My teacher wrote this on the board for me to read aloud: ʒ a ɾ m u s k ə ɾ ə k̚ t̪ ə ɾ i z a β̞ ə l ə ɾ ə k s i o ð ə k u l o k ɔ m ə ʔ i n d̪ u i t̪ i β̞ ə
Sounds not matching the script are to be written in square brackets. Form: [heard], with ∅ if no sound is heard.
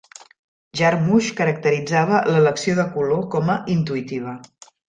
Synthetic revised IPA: ʒ a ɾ m u [ʃ] k ə ɾ ə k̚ t̪ ə ɾ i [d͡z] a β̞ ə l ə [l] ə k s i o ð ə k u l o k ɔ m ə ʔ i n [t̪] u i t̪ i β̞ ə